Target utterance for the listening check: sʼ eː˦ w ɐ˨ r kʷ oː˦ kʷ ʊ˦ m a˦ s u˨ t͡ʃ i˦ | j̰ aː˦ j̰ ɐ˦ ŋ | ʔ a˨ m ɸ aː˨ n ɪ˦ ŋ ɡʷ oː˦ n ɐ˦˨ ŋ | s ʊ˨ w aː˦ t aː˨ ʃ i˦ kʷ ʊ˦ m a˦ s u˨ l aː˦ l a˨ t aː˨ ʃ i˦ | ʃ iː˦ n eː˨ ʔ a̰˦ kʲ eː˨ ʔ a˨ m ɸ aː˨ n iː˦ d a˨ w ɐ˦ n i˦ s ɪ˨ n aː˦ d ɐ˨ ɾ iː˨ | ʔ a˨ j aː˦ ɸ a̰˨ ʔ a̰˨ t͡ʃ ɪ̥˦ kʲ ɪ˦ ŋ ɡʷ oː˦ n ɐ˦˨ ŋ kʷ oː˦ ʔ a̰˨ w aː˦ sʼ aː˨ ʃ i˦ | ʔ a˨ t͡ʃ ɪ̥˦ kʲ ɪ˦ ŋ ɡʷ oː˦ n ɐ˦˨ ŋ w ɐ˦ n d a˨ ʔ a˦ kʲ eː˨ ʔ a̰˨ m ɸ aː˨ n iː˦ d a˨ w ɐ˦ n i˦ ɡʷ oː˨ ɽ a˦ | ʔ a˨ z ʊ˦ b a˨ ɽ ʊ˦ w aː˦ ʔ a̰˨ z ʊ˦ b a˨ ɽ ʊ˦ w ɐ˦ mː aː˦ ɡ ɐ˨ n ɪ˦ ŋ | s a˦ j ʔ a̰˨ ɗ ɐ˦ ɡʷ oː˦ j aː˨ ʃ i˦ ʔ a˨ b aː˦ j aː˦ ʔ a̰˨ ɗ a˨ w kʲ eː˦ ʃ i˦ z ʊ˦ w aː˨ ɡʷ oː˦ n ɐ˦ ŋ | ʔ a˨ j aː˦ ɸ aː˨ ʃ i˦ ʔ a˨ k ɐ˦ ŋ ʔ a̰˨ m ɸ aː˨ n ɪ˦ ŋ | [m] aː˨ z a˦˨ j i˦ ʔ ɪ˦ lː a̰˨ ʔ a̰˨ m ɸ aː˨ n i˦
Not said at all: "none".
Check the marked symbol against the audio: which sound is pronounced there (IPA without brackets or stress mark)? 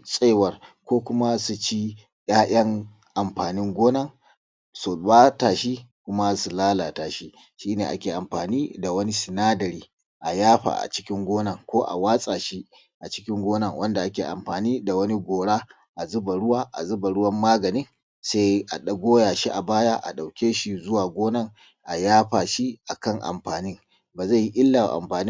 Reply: b